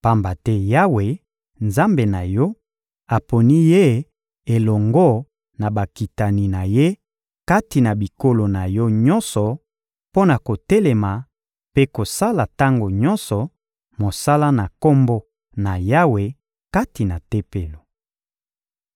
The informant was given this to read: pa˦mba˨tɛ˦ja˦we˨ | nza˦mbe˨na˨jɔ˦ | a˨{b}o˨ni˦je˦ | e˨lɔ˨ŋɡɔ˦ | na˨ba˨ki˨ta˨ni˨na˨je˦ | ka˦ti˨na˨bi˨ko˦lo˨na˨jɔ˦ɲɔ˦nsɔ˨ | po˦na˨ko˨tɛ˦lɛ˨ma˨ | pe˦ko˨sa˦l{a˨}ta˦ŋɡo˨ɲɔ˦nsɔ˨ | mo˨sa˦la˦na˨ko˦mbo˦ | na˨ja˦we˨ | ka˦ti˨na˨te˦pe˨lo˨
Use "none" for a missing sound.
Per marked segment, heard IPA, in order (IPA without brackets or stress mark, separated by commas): p, a˨